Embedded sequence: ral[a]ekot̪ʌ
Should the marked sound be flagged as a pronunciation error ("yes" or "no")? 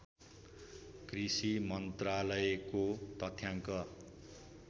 yes